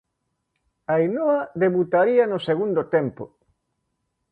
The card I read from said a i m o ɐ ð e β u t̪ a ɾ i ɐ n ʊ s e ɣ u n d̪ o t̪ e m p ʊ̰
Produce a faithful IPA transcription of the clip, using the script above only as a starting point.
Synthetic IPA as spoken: a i n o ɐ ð e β u t̪ a ɾ i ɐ n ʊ s e ɣ u n d̪ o t̪ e m p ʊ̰